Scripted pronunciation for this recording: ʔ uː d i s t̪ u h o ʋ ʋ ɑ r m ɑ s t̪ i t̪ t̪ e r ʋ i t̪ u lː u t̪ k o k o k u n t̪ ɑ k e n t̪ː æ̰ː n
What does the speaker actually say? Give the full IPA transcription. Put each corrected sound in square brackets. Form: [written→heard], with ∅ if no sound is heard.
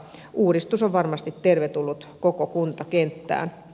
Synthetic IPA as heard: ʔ uː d i s t̪ u [h→s] o ʋ ʋ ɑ r m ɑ s t̪ i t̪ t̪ e r ʋ [i→e] t̪ u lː u t̪ k o k o k u n t̪ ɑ k e n t̪ː æ̰ː n